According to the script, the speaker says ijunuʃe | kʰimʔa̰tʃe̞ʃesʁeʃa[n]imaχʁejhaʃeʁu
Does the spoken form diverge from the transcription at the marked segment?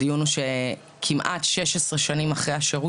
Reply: no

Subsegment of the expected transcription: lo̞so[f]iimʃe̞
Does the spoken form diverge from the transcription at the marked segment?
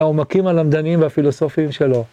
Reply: no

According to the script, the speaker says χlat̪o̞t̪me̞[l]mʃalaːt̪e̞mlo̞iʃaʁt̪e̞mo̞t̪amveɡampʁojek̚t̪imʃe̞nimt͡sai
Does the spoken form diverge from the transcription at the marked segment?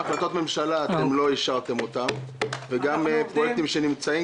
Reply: yes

